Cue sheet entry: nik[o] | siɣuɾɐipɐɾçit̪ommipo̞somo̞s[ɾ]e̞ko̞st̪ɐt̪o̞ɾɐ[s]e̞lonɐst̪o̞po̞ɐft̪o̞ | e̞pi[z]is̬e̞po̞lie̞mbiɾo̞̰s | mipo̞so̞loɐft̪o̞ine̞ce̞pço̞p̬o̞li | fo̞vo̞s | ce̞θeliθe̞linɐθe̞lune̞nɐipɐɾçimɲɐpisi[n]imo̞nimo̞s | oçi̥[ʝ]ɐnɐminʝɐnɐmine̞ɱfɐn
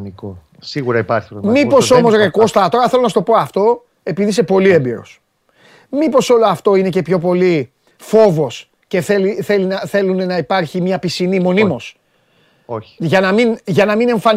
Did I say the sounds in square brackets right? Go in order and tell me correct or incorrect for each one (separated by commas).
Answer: correct, correct, incorrect, incorrect, correct, correct